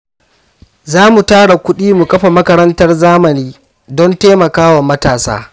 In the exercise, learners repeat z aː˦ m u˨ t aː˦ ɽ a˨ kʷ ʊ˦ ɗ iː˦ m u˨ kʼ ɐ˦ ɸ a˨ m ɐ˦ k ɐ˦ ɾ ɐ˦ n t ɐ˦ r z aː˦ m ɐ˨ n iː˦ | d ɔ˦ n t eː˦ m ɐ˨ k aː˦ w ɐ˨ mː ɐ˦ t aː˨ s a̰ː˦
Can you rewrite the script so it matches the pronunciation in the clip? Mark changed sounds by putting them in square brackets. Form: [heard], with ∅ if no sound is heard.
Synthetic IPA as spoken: z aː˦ m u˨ t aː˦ ɽ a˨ kʷ ʊ˦ ɗ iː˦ m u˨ kʼ ɐ˦ ɸ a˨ m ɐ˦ k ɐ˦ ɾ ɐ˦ n t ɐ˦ r z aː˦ m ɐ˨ n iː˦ | d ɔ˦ n t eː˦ m ɐ˨ k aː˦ w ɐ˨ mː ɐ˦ t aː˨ s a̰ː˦